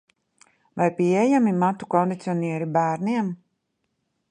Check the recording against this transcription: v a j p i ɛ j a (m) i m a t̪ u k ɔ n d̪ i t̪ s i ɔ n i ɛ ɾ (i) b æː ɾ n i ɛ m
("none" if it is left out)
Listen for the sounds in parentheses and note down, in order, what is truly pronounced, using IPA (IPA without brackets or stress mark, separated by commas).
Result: m, i